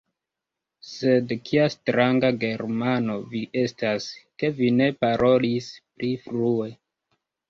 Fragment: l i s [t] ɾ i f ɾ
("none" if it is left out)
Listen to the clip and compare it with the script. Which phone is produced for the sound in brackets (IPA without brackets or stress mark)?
p